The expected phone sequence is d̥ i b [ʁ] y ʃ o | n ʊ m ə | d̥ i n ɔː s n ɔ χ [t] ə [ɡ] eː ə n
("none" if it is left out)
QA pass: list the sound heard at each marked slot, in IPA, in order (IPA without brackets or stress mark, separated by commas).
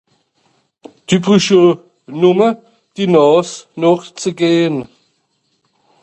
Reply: ʁ, t͡s, ɡ